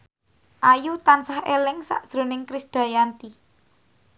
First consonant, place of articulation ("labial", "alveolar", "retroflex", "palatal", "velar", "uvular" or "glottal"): glottal